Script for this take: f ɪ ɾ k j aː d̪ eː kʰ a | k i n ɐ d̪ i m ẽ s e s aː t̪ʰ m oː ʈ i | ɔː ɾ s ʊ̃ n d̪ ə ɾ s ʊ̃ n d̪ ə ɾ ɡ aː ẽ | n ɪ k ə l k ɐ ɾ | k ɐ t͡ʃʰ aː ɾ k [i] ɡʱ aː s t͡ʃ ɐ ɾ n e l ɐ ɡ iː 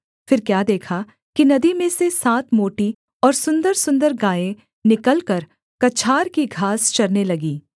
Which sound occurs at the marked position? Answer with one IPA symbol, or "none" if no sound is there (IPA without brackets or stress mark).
i